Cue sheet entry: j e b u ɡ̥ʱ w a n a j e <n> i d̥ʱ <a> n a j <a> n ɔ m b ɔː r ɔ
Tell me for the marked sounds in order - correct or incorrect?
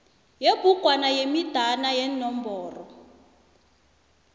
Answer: incorrect, correct, incorrect

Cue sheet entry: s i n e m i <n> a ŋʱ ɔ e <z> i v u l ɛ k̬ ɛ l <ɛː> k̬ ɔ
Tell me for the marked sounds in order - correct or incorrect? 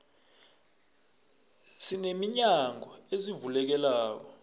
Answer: incorrect, correct, incorrect

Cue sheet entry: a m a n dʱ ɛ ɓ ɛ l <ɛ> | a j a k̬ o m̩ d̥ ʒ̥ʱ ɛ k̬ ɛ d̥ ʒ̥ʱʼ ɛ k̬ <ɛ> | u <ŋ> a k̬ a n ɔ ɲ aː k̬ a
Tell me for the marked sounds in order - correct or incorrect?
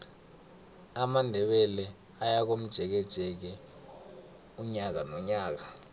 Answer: correct, correct, incorrect

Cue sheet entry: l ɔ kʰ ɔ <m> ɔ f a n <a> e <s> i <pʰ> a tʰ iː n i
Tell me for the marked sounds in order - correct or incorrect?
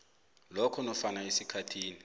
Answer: incorrect, correct, correct, incorrect

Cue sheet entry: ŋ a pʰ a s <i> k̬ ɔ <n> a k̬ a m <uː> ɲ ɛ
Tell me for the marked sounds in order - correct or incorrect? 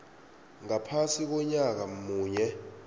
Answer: correct, incorrect, correct

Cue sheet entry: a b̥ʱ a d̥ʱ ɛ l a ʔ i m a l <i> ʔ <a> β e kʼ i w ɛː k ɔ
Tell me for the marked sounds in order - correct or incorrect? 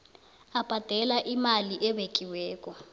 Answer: correct, incorrect

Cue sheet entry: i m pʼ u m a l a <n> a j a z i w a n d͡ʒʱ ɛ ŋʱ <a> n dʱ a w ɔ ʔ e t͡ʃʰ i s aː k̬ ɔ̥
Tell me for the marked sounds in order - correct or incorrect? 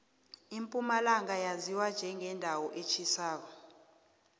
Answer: incorrect, incorrect

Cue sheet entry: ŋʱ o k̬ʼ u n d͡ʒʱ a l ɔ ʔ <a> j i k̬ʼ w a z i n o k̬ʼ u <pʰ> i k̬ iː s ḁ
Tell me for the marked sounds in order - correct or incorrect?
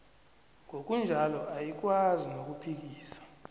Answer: correct, correct

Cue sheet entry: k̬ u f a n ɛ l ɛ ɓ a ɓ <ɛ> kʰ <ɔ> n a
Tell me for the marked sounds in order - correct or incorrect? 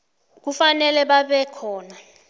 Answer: correct, incorrect

